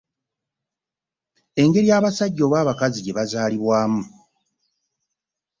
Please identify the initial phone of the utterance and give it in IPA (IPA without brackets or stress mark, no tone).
e̞